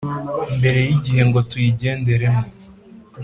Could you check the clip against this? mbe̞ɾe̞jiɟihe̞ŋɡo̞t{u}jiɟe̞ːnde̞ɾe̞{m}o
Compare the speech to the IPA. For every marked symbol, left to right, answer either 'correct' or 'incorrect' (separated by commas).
correct, correct